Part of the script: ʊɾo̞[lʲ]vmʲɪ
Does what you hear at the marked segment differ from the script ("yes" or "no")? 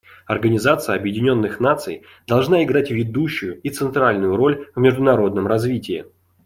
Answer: no